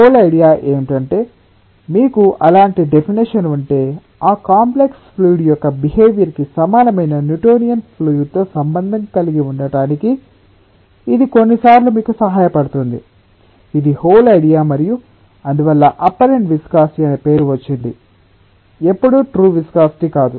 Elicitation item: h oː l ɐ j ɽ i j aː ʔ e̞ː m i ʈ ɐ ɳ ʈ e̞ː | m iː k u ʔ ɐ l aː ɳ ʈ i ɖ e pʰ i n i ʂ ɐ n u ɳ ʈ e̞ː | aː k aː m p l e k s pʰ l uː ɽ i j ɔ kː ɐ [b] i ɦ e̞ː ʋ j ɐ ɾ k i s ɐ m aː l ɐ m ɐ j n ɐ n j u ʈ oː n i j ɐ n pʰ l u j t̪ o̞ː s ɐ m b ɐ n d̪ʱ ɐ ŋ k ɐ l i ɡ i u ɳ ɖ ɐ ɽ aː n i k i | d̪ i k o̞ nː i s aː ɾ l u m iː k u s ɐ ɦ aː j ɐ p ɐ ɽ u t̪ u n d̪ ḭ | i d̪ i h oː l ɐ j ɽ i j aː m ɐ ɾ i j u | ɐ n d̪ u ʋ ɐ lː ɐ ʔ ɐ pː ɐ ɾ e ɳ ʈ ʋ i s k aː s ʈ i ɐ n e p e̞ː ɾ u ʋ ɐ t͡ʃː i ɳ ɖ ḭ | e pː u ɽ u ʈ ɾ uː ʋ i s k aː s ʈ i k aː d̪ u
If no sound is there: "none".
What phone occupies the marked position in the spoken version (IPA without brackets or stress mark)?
b